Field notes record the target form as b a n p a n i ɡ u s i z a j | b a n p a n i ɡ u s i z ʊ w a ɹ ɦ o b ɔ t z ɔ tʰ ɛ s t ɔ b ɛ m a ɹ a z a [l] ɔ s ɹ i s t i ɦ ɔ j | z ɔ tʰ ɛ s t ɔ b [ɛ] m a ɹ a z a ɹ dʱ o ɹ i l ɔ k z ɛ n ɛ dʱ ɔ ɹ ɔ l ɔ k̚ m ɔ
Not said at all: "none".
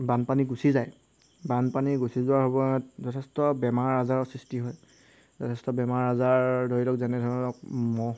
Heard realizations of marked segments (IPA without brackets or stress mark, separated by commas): ɹ, ɛ